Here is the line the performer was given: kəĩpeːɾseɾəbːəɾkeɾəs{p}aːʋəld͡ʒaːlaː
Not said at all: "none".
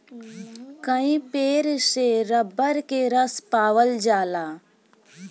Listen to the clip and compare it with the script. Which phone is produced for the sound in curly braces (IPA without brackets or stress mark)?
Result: p